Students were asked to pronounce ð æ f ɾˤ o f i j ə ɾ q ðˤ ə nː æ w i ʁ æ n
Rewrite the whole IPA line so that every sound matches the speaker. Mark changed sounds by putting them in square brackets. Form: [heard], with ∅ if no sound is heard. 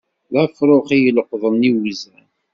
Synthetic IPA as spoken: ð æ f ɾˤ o [χ] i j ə [l] q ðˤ ə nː [i] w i [z] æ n